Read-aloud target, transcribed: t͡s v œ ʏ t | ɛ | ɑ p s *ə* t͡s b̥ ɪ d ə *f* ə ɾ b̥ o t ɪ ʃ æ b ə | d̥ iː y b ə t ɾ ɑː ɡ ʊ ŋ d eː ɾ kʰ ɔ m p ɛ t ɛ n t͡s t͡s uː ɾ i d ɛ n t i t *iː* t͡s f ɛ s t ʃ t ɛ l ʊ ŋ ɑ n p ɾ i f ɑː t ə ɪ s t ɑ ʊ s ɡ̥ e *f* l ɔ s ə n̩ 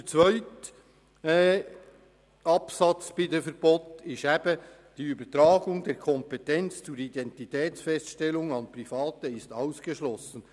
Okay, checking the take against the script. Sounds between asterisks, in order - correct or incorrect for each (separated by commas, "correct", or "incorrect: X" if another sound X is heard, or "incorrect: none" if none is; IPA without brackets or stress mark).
incorrect: ɑ, correct, incorrect: ɛː, incorrect: ʃ